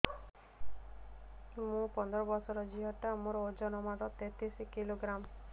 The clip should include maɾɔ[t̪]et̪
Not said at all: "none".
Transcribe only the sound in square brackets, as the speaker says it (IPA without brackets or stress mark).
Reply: t̪